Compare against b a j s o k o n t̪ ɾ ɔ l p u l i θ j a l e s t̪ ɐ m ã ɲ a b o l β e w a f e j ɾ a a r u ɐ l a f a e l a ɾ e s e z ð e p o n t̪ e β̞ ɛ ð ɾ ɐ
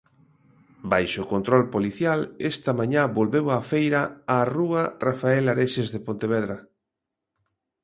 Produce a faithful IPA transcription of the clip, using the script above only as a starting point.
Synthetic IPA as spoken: b a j ʃ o k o n t̪ ɾ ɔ l p o l i θ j a l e s t̪ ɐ m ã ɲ a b o l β e w a f e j ɾ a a r u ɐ r a f a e l a ɾ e ʃ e z ð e p o n t̪ e β̞ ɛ ð ɾ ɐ